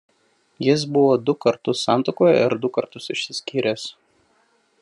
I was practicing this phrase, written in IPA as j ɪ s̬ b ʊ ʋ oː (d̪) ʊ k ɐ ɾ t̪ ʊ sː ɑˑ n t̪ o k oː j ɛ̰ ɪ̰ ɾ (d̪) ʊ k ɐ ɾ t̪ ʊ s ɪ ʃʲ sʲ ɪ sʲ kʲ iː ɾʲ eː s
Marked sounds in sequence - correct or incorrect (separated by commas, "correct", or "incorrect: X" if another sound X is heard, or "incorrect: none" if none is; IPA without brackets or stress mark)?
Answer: correct, correct